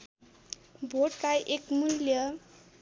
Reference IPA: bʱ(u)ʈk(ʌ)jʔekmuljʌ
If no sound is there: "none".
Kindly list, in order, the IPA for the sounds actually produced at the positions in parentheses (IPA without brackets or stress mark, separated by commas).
o, a